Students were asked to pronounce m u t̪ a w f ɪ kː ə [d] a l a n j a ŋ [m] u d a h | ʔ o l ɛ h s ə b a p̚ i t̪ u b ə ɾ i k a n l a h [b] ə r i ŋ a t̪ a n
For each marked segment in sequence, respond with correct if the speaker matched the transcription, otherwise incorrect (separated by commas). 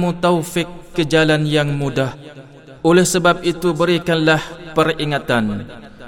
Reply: incorrect, correct, incorrect